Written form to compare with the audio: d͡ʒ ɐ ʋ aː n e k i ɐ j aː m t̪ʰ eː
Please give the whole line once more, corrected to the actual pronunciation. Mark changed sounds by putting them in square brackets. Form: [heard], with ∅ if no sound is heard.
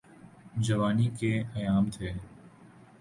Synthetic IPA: d͡ʒ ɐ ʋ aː n [i] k [e] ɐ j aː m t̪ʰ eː